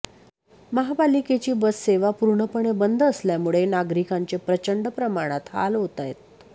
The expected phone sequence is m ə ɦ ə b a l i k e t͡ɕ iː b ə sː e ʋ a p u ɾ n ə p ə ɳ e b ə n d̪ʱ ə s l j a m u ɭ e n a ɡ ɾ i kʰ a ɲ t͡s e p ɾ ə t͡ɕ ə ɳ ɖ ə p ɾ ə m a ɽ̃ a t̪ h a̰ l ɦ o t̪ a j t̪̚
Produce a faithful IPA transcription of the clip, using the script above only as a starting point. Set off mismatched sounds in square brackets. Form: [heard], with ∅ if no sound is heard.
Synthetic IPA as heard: m ə ɦ [a] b a l i k e t͡ɕ iː b ə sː e ʋ a p u ɾ [ɳ] ə p ə ɳ e b ə n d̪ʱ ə s l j a m u ɭ e n a ɡ ɾ i [k] a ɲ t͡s e p ɾ ə t͡ɕ ə ɳ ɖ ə p ɾ ə m a ɽ̃ a t̪ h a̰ l ɦ o t̪ a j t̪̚